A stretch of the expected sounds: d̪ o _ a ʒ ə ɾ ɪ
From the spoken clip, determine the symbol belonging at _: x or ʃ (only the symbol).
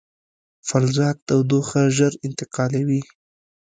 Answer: x